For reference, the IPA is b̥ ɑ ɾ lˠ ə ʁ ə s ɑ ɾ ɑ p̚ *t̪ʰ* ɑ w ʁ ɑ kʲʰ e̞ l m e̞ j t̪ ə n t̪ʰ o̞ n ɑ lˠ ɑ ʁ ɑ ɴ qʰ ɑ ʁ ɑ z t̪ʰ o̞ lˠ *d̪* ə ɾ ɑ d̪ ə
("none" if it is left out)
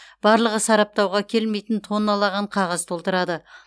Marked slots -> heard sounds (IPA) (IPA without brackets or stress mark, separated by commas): t̪, t̪